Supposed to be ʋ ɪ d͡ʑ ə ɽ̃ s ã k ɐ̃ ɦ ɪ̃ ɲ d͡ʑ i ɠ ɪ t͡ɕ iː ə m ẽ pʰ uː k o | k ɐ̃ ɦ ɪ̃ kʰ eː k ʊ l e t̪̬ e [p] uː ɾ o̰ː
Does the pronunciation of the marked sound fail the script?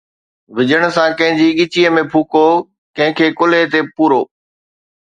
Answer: no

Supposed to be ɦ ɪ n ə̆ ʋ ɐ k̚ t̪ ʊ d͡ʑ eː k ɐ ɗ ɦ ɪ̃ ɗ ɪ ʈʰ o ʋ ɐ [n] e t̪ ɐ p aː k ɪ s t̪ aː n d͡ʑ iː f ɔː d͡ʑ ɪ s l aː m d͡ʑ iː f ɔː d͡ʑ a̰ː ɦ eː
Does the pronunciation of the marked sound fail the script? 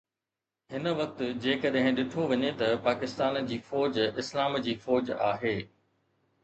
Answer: yes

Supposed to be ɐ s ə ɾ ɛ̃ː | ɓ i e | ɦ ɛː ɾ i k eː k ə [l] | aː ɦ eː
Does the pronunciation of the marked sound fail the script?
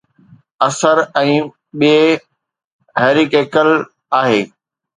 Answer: no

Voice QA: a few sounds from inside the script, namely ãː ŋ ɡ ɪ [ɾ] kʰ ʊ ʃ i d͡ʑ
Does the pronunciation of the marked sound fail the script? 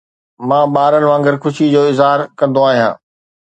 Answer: no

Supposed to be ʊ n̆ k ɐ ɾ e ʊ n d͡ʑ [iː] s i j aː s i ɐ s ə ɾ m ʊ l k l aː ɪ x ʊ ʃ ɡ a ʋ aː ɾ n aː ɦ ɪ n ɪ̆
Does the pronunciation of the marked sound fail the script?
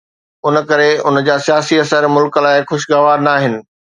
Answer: yes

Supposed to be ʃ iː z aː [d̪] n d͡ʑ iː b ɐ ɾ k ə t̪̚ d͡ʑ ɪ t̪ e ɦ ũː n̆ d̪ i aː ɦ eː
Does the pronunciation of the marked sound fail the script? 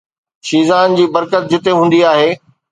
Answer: yes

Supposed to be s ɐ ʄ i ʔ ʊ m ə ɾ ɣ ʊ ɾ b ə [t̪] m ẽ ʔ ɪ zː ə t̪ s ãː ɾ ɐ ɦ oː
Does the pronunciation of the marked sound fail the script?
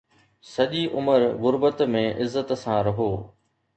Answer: no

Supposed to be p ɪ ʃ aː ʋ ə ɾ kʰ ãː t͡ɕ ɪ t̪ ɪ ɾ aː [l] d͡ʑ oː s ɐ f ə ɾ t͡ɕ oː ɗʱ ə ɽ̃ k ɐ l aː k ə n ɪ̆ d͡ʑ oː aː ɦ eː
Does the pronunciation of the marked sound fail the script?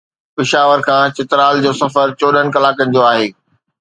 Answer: no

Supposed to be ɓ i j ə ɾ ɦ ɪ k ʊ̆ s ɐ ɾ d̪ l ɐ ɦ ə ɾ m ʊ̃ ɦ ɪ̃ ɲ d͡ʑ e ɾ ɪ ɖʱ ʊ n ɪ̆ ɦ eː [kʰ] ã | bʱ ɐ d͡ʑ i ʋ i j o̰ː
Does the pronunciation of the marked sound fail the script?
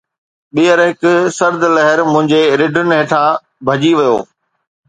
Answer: yes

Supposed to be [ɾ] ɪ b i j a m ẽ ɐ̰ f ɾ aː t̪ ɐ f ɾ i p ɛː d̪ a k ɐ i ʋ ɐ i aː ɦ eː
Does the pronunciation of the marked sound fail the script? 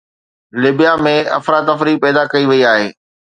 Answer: yes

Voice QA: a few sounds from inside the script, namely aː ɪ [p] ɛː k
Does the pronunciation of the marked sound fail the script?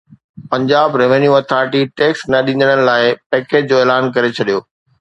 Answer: no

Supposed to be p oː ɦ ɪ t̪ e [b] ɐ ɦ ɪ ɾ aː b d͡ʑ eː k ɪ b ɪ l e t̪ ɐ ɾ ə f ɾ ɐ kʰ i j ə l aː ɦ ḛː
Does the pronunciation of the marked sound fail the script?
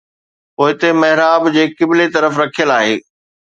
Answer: yes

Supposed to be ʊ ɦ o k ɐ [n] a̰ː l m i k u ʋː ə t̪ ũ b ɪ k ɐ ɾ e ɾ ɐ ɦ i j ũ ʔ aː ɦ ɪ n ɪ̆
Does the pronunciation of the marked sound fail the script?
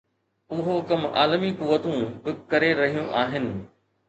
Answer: yes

